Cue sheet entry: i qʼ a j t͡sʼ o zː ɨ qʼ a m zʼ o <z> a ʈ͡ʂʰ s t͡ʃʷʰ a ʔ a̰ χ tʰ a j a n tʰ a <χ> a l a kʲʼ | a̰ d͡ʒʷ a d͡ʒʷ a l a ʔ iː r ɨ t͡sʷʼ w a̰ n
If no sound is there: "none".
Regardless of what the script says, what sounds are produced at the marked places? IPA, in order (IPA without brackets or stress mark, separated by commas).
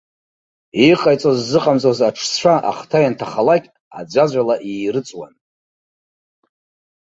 z, χ